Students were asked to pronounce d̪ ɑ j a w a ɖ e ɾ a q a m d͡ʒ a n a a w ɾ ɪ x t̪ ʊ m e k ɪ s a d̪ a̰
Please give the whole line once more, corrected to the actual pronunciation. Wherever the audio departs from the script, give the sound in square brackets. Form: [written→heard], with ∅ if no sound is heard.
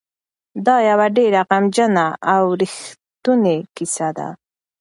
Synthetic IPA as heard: d̪ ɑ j a w a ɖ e ɾ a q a m d͡ʒ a n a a w ɾ ɪ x t̪ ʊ [m→n] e k ɪ s a d̪ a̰

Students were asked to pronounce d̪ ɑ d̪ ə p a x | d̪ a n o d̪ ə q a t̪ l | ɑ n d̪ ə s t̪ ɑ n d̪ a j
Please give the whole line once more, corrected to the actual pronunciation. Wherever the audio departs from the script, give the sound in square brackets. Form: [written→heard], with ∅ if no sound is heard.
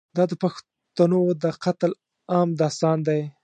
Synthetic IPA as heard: d̪ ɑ d̪ ə p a x | [d̪→t̪] a n o d̪ ə q a t̪ l | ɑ [n→m] d̪ [ə→ɑ] s t̪ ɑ n d̪ a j

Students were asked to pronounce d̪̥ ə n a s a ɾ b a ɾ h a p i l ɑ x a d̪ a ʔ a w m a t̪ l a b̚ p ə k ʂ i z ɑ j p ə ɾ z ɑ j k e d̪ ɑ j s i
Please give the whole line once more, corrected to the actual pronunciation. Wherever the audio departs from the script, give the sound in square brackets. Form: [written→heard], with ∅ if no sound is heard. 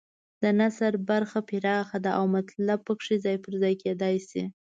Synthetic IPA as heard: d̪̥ ə n a s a ɾ b a ɾ [h→x] a p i [l→ɾ] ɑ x a d̪ a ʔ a w m a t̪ l a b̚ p ə k ʂ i z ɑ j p ə ɾ z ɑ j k e d̪ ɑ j s i

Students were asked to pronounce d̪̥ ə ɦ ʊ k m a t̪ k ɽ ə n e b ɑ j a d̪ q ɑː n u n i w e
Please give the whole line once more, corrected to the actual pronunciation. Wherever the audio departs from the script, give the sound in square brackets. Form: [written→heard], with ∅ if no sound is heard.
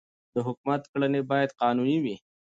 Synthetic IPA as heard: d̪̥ ə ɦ ʊ k m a t̪ k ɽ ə n e b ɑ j a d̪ q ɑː n u n i w [e→i]

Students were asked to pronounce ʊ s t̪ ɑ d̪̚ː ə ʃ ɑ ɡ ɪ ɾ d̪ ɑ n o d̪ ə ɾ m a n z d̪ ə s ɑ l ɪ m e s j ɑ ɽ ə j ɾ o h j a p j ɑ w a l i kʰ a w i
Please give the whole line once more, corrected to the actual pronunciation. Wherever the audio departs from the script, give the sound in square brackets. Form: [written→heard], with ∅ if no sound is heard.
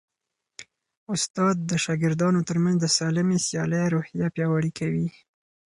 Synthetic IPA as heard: ʊ s t̪ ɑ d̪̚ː ə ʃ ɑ ɡ ɪ ɾ d̪ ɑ n o [d̪→t̪] ə ɾ m a n z d̪ ə s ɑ l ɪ m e s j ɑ [ɽ→l] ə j ɾ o h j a p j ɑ w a [l→ɽ] i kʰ a w i

